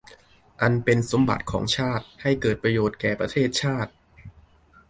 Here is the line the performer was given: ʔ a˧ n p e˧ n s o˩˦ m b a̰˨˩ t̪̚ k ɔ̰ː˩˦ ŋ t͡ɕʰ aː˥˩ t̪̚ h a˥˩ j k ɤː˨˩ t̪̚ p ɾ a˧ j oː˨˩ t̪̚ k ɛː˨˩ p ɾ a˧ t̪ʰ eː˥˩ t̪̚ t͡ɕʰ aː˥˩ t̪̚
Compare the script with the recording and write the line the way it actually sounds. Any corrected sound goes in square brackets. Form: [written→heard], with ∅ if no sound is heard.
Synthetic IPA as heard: ʔ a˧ n p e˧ n s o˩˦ m b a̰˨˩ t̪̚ [k→kʰ] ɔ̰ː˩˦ ŋ t͡ɕʰ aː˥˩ t̪̚ h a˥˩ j k ɤː˨˩ t̪̚ p ɾ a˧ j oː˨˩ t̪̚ k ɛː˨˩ p ɾ a˧ t̪ʰ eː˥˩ t̪̚ t͡ɕʰ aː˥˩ t̪̚